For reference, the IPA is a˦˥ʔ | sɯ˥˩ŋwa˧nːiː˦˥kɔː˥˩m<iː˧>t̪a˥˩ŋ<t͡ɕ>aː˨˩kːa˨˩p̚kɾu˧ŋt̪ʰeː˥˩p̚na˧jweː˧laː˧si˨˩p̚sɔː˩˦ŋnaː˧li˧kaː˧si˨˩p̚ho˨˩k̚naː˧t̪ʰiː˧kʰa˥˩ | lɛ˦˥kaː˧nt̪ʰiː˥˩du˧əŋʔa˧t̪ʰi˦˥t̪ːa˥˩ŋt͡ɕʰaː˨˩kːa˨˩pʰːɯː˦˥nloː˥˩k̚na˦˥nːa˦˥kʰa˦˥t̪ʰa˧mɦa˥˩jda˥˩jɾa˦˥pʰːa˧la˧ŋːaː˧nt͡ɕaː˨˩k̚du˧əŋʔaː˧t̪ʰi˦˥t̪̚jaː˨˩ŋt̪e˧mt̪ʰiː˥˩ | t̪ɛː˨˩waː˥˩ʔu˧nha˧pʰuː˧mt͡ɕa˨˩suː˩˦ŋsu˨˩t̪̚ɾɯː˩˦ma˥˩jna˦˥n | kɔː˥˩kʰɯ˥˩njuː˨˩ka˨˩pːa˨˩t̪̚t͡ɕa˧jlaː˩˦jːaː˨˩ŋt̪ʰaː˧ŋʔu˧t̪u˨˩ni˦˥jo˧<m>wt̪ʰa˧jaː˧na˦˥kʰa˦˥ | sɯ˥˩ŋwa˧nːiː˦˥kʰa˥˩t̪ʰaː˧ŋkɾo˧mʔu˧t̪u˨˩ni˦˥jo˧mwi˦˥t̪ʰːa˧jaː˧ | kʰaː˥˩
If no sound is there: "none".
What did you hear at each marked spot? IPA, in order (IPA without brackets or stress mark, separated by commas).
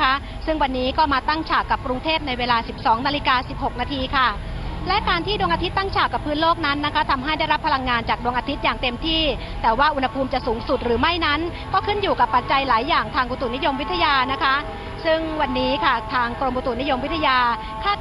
aː˧, t͡ɕʰ, m